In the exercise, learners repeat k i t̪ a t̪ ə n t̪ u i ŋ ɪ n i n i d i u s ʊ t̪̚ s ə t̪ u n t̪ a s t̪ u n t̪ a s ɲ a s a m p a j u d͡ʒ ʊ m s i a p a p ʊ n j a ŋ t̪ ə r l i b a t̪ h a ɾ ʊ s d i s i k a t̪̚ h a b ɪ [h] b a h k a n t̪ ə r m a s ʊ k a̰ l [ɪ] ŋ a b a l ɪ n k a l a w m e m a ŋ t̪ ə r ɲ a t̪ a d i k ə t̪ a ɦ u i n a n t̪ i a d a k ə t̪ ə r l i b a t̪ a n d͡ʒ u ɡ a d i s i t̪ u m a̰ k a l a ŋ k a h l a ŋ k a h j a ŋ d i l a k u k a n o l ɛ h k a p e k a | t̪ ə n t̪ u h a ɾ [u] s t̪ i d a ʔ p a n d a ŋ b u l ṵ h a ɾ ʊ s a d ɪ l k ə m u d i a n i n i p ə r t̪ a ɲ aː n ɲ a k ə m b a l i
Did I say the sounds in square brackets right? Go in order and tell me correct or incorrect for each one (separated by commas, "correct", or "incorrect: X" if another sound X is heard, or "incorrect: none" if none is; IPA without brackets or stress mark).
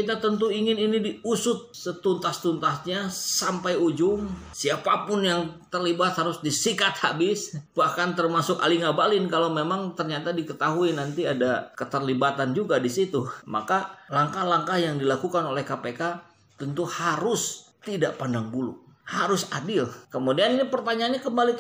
incorrect: s, incorrect: i, incorrect: ʊ